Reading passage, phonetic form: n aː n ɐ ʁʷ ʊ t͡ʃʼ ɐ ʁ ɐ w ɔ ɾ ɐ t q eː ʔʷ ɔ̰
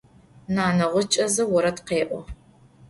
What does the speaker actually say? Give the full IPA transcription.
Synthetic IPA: n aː n ɐ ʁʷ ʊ t͡ʃʼ ɐ z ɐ w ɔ ɾ ɐ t q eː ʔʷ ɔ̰